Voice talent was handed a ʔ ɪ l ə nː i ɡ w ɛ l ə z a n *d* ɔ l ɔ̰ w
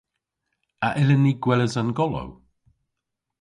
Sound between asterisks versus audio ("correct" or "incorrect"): incorrect